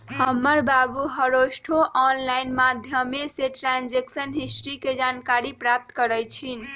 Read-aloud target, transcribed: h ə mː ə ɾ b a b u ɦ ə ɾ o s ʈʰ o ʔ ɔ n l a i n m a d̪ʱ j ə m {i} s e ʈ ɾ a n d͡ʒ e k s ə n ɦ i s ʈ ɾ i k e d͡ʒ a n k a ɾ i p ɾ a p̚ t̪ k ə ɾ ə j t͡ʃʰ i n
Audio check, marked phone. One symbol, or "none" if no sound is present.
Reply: e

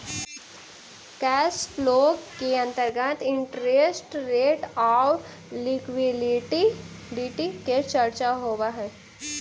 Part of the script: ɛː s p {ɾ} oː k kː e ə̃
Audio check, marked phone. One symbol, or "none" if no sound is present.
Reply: l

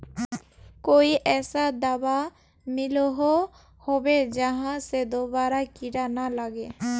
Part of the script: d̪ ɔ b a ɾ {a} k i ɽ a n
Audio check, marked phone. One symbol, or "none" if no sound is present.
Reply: a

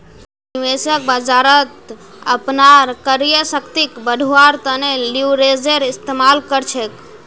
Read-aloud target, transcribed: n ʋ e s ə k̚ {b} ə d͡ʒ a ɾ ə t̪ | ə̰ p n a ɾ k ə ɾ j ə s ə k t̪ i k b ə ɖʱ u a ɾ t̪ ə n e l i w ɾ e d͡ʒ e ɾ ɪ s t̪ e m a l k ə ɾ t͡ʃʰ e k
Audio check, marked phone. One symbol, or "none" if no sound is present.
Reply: b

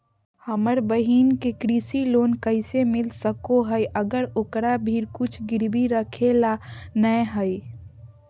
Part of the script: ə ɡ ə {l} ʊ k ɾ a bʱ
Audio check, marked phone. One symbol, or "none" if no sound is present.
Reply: ɾ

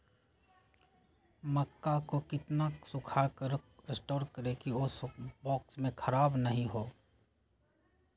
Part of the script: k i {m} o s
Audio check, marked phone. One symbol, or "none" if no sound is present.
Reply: none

